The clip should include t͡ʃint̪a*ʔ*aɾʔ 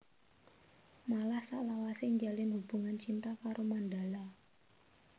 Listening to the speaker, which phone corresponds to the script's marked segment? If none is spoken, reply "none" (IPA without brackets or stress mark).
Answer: k